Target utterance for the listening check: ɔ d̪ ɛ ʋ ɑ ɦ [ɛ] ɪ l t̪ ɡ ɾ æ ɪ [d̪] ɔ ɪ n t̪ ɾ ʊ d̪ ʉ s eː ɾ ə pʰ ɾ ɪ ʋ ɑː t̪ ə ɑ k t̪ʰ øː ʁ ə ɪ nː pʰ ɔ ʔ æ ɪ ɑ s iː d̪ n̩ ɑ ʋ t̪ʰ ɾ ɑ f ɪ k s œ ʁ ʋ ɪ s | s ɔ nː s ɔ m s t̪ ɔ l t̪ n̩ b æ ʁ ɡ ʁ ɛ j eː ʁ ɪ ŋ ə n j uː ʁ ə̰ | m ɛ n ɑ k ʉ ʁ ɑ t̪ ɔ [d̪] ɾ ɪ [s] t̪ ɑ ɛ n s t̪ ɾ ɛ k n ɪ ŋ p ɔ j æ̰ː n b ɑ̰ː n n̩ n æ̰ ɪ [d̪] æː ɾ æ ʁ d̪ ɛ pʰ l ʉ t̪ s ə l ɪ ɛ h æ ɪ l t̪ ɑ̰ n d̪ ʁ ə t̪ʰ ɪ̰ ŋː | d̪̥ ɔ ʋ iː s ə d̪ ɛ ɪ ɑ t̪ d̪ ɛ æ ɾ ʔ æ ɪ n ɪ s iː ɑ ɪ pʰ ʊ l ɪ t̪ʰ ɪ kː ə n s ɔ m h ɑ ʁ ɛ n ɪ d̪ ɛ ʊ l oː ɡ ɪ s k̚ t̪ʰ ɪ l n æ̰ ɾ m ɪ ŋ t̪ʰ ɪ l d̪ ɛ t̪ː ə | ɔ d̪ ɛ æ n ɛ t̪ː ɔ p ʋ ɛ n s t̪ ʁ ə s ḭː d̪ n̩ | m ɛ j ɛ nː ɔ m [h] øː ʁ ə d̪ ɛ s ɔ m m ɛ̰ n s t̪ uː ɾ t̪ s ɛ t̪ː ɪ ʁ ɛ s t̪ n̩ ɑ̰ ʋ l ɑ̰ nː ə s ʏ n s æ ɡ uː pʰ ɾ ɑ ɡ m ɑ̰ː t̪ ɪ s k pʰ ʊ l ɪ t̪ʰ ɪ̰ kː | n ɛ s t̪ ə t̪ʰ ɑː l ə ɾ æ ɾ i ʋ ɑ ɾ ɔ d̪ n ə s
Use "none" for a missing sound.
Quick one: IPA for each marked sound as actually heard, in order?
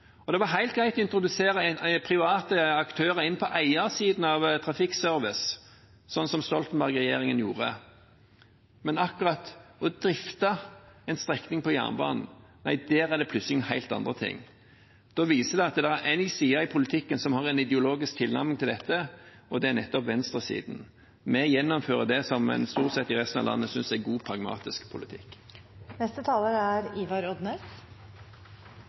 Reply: æ, t̪, d̪, f, d̪, f

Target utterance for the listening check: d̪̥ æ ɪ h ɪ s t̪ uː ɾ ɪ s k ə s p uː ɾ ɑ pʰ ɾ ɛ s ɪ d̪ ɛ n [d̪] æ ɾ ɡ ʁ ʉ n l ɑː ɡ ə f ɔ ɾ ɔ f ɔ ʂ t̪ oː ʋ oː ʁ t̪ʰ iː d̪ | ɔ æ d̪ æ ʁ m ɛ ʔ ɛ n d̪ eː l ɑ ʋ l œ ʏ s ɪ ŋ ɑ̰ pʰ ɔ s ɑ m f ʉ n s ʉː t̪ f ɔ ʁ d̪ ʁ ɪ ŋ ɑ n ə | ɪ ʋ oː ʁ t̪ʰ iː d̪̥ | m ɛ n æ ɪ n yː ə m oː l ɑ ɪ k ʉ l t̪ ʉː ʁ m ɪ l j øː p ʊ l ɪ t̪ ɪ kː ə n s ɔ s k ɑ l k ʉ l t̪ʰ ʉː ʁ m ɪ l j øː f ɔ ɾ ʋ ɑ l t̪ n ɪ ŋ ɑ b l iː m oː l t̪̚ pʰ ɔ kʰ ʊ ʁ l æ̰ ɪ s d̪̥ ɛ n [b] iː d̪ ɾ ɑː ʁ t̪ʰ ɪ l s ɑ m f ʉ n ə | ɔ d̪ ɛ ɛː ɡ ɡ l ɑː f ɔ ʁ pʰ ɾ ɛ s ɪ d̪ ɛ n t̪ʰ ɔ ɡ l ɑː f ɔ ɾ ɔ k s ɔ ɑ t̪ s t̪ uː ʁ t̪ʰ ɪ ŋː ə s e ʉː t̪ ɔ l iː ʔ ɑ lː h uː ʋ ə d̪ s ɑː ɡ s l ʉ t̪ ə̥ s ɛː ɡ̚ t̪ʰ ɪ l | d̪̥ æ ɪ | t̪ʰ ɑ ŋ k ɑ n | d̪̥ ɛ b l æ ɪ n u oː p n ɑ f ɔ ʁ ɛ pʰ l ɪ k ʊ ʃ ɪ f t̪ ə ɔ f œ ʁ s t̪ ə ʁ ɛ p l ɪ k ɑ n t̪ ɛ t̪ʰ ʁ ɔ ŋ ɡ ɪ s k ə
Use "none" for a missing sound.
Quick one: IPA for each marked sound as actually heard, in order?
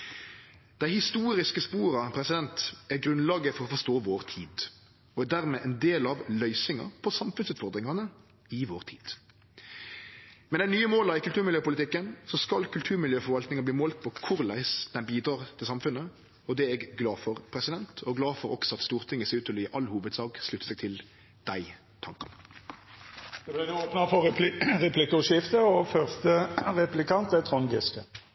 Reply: t̪, b

